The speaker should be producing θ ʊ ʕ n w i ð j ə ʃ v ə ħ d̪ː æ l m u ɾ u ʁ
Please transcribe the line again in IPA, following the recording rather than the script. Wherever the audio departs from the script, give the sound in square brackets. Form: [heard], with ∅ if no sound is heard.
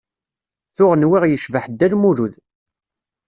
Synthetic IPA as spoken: θ ʊ [ʁ] n w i [ʁ] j ə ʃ v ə ħ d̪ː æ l m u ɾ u [ð]